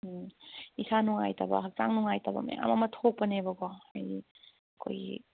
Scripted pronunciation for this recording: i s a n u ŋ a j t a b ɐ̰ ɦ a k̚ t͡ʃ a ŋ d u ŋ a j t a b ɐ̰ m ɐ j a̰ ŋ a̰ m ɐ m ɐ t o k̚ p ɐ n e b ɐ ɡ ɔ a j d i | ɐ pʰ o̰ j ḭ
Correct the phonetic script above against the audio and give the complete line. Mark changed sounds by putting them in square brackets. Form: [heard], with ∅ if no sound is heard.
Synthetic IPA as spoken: i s a n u ŋ a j t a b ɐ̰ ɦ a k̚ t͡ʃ a ŋ [n] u ŋ a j t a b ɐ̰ m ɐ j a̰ ŋ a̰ m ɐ m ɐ [tʰ] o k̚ p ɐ n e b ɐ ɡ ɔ a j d i | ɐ [kʰ] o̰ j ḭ